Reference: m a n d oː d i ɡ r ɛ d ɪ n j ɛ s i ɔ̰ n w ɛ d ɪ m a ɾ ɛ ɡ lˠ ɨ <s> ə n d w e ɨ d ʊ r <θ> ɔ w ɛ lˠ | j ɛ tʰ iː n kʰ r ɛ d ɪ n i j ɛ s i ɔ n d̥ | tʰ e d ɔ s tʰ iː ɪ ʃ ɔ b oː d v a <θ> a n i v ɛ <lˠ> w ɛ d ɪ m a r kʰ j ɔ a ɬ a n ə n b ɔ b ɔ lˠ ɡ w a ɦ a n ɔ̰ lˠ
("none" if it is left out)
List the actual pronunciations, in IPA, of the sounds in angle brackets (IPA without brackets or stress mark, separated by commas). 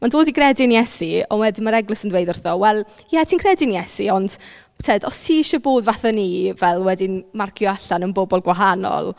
s, θ, θ, lˠ